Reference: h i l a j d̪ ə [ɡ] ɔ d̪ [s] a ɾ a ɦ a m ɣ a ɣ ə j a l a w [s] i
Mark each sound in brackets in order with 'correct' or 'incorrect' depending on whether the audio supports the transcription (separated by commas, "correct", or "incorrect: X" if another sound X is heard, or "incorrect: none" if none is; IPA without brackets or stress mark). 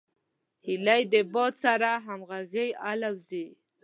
incorrect: b, correct, incorrect: z